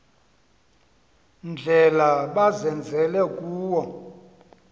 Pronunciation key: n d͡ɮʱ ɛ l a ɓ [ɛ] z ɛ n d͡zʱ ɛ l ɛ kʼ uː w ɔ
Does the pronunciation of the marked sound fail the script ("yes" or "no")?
yes